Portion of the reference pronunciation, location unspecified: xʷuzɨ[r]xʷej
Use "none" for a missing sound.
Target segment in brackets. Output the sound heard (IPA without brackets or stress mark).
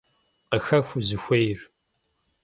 none